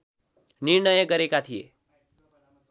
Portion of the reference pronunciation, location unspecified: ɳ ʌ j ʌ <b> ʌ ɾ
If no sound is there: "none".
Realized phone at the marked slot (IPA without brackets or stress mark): ɡ